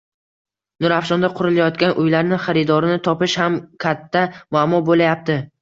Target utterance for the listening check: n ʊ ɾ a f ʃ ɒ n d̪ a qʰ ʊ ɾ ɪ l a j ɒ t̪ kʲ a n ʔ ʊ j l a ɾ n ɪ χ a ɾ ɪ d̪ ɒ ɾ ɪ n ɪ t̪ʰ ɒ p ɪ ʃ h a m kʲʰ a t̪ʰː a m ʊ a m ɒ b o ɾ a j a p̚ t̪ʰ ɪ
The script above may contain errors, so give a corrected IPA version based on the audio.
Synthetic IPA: n ʊ ɾ a f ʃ ɒ n d̪ a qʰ ʊ ɾ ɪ l a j ɒ t̪ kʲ a n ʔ ʊ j l a ɾ n ɪ χ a ɾ ɪ d̪ ɒ ɾ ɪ n ɪ t̪ʰ ɒ p ɪ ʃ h a m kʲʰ a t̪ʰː a m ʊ a m ɒ b o l a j a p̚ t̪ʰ ɪ